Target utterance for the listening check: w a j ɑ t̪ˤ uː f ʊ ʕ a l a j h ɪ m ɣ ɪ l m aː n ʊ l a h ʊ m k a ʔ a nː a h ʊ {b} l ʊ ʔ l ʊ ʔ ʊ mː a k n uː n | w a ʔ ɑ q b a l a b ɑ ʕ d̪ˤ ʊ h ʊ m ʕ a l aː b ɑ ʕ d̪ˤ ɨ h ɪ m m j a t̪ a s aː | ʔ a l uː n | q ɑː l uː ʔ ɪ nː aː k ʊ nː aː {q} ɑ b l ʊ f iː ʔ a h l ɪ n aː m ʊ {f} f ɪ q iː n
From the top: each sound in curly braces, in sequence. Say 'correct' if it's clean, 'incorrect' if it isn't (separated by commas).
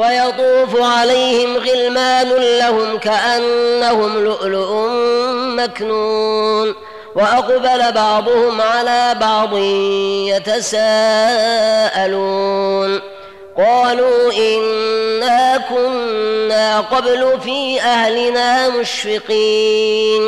incorrect, correct, incorrect